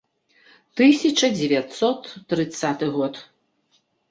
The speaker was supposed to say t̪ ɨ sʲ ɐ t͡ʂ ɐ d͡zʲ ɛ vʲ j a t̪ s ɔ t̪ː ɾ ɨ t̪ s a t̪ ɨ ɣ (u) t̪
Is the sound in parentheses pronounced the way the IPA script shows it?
no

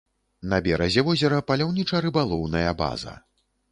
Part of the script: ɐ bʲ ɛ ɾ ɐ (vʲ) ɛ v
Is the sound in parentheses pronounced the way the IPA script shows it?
no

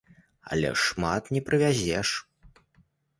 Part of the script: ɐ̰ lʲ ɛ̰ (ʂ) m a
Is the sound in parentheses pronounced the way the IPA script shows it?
yes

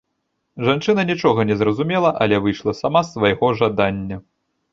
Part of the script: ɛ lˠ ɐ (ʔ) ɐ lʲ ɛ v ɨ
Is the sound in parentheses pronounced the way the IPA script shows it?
yes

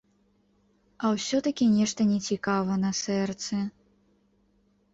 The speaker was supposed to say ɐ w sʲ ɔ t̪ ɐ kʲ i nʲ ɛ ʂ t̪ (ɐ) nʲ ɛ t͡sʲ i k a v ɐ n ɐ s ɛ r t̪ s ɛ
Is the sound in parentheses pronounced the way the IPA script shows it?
yes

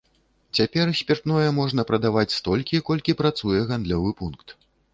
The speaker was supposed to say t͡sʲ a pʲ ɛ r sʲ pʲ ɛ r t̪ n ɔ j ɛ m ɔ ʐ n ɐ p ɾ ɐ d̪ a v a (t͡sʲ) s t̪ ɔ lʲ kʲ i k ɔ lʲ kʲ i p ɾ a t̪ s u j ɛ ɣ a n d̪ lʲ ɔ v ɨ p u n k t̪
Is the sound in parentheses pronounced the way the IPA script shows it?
yes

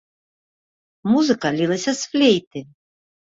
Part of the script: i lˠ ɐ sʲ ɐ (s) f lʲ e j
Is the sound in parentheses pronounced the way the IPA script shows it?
yes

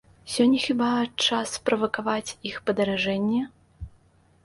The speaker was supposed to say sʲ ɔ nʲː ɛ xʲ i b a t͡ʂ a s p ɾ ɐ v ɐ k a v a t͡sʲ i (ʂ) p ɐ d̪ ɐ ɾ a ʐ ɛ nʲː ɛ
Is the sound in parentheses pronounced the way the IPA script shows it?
no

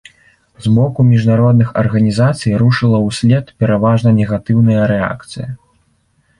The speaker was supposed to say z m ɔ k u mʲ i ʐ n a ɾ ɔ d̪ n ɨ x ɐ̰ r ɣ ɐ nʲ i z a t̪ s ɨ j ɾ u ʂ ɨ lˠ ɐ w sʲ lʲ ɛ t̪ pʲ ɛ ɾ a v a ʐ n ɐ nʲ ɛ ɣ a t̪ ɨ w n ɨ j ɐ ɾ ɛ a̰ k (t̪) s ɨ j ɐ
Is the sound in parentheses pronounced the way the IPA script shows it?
yes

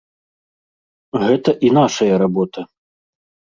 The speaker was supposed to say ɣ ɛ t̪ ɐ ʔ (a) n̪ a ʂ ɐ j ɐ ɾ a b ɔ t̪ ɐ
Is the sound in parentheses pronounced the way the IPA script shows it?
no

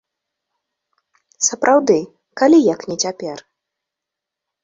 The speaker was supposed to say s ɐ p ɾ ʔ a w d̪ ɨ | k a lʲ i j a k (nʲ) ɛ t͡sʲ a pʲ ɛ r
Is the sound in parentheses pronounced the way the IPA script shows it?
yes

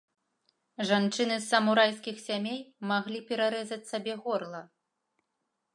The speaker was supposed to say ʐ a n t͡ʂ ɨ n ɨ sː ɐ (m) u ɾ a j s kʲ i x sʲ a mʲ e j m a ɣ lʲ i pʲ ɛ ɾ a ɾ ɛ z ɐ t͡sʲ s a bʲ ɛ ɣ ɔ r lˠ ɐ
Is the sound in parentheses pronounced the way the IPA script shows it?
yes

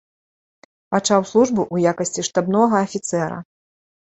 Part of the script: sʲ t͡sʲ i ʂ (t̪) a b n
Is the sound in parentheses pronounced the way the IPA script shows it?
yes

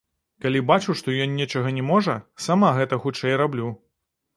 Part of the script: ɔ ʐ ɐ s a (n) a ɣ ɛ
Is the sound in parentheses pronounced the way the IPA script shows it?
no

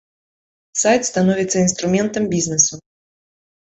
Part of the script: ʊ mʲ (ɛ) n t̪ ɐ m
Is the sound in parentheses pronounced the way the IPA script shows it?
yes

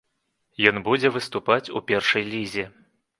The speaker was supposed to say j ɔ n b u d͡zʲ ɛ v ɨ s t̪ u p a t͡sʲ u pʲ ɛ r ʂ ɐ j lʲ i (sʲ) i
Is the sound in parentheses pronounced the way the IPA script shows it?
no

